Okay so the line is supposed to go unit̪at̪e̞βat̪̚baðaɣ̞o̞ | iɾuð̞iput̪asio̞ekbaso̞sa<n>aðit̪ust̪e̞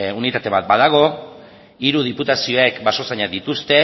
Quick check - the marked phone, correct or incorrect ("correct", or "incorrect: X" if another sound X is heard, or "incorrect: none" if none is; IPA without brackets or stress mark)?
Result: incorrect: ɲ